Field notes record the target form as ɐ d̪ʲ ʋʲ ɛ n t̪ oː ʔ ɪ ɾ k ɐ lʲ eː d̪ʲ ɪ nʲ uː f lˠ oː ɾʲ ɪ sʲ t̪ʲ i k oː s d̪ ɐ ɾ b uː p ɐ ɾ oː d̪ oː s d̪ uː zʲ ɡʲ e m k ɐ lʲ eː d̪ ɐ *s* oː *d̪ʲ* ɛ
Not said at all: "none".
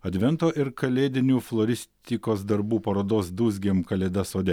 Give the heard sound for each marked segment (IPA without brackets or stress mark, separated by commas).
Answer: s, d̪ʲ